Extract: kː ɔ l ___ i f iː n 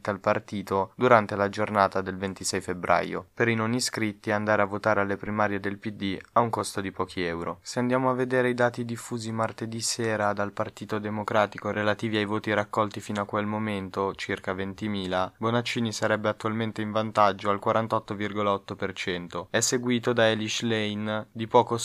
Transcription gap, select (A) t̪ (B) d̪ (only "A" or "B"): A